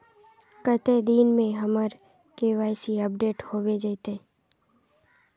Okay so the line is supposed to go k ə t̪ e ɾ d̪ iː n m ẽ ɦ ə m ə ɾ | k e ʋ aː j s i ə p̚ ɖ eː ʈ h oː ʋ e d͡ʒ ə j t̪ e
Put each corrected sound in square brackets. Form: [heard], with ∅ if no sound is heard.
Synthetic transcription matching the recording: k ə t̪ e [∅] d̪ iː n m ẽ ɦ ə m ə ɾ | k e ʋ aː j s i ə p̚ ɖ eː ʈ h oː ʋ e d͡ʒ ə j t̪ e